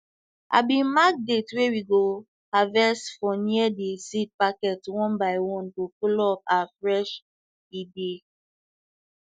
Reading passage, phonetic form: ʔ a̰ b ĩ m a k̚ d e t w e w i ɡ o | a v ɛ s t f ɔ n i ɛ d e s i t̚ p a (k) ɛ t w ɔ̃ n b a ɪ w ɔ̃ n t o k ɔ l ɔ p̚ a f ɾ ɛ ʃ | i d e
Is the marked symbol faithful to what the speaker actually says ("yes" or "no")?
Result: yes